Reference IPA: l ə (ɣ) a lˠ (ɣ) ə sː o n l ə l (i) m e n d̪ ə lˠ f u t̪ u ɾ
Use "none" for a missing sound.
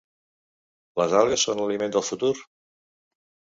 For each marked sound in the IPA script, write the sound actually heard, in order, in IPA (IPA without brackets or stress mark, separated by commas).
z, ɣ, i